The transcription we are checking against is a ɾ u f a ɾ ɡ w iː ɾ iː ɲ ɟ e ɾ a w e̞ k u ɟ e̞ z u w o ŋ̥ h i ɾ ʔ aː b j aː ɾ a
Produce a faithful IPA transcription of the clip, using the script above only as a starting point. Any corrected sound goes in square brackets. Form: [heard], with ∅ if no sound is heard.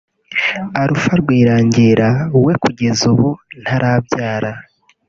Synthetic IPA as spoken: a ɾ u f a ɾ ɡ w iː ɾ [aː] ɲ ɟ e ɾ a w e̞ k u ɟ e̞ z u [β] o [n̥] h [a] ɾ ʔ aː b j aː ɾ a